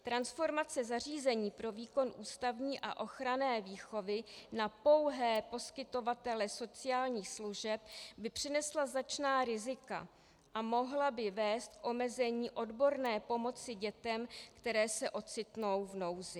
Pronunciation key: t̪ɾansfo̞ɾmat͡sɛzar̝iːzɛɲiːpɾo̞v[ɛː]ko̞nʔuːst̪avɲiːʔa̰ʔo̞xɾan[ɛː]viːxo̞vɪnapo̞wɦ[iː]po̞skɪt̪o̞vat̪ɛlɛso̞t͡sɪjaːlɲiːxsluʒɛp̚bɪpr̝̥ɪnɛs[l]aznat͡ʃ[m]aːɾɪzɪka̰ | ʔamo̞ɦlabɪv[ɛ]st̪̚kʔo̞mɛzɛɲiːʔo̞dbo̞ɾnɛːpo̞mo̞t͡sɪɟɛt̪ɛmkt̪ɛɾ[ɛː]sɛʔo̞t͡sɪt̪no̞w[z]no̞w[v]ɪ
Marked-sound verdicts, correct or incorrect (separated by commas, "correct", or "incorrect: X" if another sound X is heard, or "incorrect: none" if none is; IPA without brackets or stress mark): incorrect: iː, correct, incorrect: ɛː, correct, incorrect: n, incorrect: ɛː, correct, incorrect: v, incorrect: z